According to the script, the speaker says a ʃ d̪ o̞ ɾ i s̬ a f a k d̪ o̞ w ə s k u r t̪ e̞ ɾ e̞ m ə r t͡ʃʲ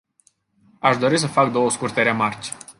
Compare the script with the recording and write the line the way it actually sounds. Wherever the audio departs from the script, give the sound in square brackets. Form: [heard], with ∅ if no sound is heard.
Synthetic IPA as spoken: a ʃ d̪ o̞ ɾ i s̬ [ə] f a k d̪ o̞ w ə s k u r t̪ e̞ ɾ e̞ m [a] r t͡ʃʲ

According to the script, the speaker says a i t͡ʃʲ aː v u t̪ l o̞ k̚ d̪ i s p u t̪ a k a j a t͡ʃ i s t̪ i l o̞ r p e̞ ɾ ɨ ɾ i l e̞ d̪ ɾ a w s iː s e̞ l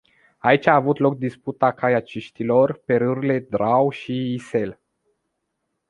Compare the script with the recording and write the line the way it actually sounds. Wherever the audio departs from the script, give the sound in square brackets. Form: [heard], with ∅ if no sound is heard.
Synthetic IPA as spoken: a i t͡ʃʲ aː v u t̪ l o̞ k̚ d̪ i s p u t̪ a k a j a t͡ʃ i [ʃ] t̪ i l o̞ r p e̞ ɾ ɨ ɾ i l e̞ d̪ ɾ a w [ʃ] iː s e̞ l

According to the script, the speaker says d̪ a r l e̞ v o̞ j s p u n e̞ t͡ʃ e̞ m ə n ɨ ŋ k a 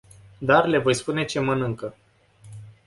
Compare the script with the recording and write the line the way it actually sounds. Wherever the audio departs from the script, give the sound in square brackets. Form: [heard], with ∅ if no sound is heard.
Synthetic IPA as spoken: d̪ a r l e̞ v o̞ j s p u n e̞ t͡ʃ e̞ m ə n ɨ ŋ k [ə]

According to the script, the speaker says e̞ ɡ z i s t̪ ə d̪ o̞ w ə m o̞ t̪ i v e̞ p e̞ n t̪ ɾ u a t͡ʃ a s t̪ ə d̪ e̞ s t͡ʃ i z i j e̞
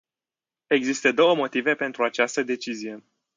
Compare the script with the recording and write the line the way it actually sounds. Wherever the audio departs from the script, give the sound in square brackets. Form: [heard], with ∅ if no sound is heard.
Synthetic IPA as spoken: e̞ ɡ z i s t̪ ə d̪ o̞ w ə m o̞ t̪ i v e̞ p e̞ n t̪ ɾ u a t͡ʃ a s t̪ ə d̪ e̞ [∅] t͡ʃ i z i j e̞

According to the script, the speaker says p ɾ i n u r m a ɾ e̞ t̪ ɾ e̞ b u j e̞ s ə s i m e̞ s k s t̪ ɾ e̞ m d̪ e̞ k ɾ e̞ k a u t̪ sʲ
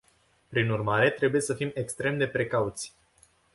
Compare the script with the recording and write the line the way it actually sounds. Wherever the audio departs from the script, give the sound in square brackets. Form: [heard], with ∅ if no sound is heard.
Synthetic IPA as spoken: p ɾ i n u r m a ɾ e̞ t̪ ɾ e̞ b u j e̞ s ə [f] i m e̞ [∅] k s t̪ ɾ e̞ m d̪ e̞ [p] ɾ e̞ k a u t̪ sʲ

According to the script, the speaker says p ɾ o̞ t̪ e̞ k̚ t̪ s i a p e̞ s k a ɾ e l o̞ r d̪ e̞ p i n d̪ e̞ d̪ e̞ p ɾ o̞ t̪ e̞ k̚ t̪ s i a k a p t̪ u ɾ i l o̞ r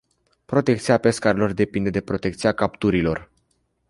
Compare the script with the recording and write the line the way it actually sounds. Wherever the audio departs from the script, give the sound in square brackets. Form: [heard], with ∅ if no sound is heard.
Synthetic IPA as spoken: p ɾ o̞ t̪ e̞ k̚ t̪ s i a p e̞ s k a ɾ e l o̞ r d̪ e̞ p i n d̪ e̞ d̪ e̞ p ɾ o̞ t̪ e̞ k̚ t̪ s i a k a p t̪ u ɾ i l o̞ r

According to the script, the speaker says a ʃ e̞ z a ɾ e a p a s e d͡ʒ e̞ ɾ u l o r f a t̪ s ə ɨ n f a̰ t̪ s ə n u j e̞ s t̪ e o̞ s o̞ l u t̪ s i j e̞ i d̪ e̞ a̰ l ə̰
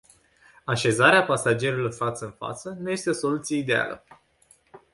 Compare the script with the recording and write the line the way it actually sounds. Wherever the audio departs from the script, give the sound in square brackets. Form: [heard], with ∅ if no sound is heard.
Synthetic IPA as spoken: a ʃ e̞ z a ɾ e a p a s [a] d͡ʒ e̞ ɾ u l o r f a t̪ s ə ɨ n f a̰ t̪ s ə n u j e̞ s t̪ e o̞ s o̞ l u t̪ s i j e̞ i d̪ e̞ a̰ l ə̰

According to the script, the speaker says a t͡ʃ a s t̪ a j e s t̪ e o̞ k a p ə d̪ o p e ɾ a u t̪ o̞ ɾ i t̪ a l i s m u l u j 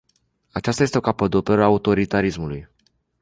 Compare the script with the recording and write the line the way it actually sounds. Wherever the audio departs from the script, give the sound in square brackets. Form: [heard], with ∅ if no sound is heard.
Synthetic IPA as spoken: a t͡ʃ a s t̪ a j e s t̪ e o̞ k a p ə d̪ o p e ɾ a u t̪ o̞ ɾ i t̪ a [ɾ] i s m u l u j

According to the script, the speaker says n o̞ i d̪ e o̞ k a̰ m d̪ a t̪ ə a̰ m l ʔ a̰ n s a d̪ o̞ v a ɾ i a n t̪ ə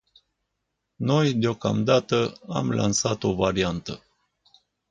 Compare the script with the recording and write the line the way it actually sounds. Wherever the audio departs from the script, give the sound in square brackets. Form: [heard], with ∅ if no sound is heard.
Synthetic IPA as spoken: n o̞ [j] d̪ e o̞ k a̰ m d̪ a t̪ ə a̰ m l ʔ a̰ n s a [t̪] o̞ v a ɾ i a n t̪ ə

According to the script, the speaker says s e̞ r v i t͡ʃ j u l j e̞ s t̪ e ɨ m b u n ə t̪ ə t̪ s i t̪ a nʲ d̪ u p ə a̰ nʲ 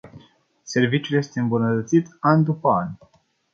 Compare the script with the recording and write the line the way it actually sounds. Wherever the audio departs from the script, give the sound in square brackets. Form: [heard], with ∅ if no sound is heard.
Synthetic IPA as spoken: s e̞ r v i t͡ʃ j u l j e̞ s t̪ e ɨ m b u n ə t̪ ə t̪ s i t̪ a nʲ d̪ u p ə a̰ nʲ

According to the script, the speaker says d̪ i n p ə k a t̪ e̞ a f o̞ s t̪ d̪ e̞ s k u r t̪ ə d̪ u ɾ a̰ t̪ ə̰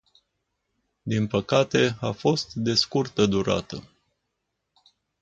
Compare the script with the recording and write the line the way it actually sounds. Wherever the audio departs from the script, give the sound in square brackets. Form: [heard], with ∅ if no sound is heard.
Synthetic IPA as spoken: d̪ i n p ə k a t̪ e̞ a f o̞ s t̪ d̪ e̞ s k u r t̪ ə d̪ u ɾ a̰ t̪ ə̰

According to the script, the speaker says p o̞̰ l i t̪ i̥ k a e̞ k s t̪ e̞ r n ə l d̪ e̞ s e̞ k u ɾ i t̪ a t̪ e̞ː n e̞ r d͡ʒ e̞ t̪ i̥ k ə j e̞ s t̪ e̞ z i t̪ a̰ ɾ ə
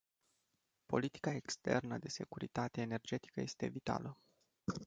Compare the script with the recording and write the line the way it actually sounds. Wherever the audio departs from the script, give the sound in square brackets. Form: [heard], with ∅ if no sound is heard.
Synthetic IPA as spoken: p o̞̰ l i t̪ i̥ k a e̞ k s t̪ e̞ r n ə [∅] d̪ e̞ s e̞ k u ɾ i t̪ a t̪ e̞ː n e̞ r d͡ʒ e̞ t̪ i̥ k ə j e̞ s t̪ e̞ [v] i t̪ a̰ [l] ə

